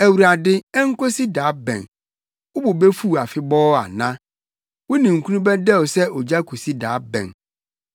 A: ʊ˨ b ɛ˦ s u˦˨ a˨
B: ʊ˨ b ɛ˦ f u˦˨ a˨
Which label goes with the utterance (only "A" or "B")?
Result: B